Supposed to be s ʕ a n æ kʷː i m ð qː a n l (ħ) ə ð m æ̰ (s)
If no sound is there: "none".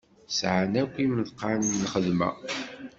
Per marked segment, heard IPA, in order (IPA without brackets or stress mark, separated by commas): χ, none